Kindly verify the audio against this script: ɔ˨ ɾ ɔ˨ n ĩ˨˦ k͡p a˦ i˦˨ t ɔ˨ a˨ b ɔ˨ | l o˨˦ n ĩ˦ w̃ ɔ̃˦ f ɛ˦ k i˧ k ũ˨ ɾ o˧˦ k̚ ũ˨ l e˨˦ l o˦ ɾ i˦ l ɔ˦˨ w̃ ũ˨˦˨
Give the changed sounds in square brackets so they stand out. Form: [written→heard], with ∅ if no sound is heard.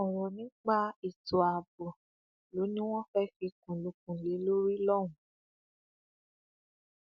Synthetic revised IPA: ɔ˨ ɾ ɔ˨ n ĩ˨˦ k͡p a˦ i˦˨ t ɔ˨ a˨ b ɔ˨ | l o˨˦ n ĩ˦ w̃ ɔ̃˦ f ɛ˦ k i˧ k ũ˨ [ɾ→l] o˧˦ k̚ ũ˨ l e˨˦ l o˦ ɾ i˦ l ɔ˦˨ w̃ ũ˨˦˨